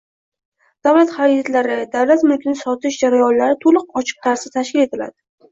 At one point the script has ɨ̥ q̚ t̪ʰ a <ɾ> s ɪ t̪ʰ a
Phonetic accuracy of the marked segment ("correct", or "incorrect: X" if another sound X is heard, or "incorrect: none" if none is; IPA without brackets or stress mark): correct